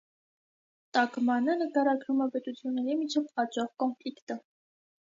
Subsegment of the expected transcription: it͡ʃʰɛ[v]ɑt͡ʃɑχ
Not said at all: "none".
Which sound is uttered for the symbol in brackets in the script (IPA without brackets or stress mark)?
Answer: v